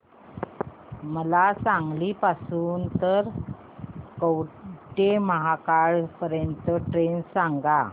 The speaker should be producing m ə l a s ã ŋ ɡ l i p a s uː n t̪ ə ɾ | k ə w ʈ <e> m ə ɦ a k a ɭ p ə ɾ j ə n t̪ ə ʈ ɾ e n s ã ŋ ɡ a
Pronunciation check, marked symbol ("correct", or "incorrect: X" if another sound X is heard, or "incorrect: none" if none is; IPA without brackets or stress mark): correct